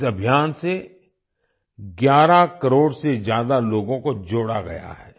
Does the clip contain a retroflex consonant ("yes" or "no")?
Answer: yes